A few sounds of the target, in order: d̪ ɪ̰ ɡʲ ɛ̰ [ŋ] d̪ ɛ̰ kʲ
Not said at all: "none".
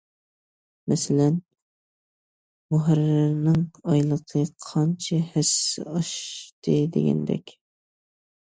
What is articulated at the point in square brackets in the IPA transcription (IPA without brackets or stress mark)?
n